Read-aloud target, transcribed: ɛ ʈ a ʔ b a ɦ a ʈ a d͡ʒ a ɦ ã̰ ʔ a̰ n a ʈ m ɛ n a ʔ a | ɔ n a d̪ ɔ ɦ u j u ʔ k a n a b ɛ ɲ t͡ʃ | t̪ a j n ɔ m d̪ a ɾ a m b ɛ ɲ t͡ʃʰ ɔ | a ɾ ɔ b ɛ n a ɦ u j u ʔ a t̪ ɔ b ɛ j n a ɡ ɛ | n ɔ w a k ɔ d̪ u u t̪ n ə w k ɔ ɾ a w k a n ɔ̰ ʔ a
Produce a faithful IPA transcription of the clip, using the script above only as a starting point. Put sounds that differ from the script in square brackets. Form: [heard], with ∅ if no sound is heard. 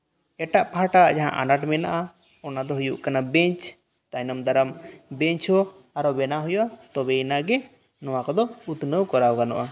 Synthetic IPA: ɛ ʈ a ʔ [p] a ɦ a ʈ a d͡ʒ a ɦ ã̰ ʔ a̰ n a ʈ m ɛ n a ʔ a | ɔ n a d̪ ɔ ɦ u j u ʔ k a n a b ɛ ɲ t͡ʃ | t̪ a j n ɔ m d̪ a ɾ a m b ɛ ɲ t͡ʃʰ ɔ | a ɾ ɔ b ɛ n a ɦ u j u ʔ a t̪ ɔ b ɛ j n a ɡ ɛ | n ɔ w a k ɔ d̪ [ɔ] u t̪ n ə w k ɔ ɾ a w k a n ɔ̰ ʔ a